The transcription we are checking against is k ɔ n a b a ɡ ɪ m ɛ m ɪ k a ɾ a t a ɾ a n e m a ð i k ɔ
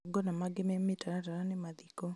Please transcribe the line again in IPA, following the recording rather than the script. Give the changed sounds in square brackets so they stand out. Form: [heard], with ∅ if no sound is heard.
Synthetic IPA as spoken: [ɡ] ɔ n a [m] a ɡ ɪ m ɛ m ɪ [t] a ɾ a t a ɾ a n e m a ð i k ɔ

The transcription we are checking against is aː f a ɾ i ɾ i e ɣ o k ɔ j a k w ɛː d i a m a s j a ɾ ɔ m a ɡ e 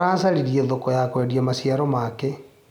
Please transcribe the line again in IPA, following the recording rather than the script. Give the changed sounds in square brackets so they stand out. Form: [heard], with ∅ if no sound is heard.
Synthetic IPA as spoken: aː [s] a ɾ i ɾ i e [ð] o k ɔ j a k w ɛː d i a m a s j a ɾ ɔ m a [k] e

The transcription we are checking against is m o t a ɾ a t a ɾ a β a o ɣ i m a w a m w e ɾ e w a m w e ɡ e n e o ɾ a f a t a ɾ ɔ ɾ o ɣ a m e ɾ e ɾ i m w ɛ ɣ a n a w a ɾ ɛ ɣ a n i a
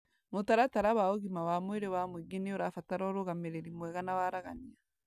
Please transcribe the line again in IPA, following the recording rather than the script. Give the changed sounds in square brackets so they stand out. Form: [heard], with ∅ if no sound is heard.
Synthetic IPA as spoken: m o t a ɾ a t a ɾ a β a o ɣ i m a w a m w e ɾ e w a m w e ɡ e n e o ɾ a f a t a ɾ ɔ ɾ o ɣ a m e ɾ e ɾ i m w ɛ ɣ a n a w a ɾ [a] ɣ a n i a

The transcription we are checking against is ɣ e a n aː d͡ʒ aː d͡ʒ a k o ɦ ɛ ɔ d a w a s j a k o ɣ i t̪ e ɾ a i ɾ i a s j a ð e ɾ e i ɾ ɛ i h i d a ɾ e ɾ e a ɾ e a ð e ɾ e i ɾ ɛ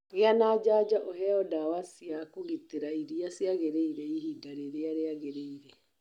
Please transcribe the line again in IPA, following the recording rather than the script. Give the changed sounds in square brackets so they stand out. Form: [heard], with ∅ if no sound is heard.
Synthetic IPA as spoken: ɣ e a n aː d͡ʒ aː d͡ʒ a [ʔ] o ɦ ɛ ɔ d a w a s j a k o ɣ i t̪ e ɾ a i ɾ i a s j a [ɣ] e ɾ e i ɾ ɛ i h i d a ɾ e ɾ e a ɾ e a [ɣ] e ɾ e i ɾ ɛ

